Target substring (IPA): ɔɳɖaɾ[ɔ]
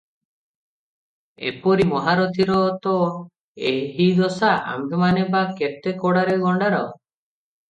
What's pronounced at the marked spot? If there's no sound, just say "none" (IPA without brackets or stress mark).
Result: ɔ